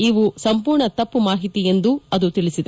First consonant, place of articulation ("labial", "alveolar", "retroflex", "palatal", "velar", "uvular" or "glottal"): labial